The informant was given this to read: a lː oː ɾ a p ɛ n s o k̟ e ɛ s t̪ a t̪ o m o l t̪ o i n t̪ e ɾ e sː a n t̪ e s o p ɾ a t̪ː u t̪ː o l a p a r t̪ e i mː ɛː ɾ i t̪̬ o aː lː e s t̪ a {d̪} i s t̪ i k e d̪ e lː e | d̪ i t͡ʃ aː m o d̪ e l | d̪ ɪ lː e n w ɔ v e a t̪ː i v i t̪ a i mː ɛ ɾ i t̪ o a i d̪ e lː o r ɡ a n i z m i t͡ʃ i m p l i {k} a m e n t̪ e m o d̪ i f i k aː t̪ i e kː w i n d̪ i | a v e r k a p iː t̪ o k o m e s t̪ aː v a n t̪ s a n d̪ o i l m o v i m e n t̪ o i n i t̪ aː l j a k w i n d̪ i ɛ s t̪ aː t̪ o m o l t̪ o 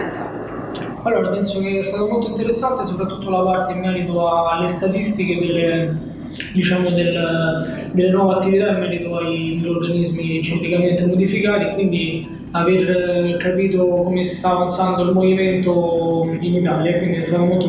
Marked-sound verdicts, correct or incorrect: incorrect, correct

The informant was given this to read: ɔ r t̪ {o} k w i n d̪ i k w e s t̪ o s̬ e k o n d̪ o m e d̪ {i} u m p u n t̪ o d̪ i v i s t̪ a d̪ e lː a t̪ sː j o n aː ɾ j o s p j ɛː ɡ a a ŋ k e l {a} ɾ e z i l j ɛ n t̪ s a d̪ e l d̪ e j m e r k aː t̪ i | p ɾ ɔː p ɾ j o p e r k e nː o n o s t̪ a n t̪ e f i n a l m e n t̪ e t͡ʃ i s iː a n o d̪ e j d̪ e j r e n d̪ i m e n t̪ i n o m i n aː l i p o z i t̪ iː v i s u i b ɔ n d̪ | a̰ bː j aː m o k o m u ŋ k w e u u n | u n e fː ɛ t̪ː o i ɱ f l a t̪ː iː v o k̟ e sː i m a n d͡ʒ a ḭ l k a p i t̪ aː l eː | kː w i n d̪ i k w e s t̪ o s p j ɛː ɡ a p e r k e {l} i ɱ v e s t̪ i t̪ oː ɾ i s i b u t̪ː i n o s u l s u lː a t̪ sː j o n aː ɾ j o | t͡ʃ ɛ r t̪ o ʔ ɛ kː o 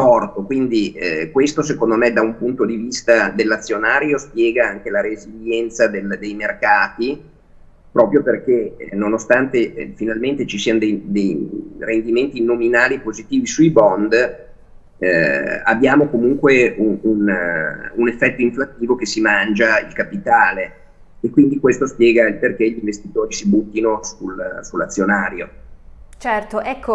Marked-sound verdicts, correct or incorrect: correct, incorrect, correct, incorrect

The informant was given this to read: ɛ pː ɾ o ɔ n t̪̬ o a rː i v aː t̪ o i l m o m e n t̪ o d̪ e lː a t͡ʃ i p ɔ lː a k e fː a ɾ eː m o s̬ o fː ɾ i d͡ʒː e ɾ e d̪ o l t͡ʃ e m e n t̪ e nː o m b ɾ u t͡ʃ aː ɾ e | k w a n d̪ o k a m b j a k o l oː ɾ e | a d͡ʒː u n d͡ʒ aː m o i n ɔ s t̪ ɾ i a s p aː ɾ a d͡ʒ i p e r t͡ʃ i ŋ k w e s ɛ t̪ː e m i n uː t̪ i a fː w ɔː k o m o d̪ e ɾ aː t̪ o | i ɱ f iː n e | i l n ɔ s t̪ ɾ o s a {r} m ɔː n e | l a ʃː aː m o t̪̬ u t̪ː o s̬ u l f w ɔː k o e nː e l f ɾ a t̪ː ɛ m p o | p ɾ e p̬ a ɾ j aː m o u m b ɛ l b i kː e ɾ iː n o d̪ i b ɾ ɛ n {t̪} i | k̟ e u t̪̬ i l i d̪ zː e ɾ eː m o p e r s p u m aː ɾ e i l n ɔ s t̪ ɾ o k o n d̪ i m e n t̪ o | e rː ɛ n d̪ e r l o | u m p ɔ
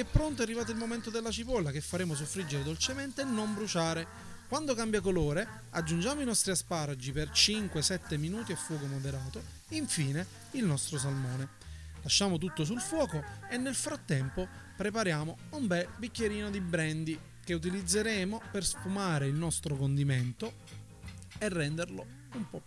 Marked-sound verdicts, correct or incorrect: incorrect, incorrect

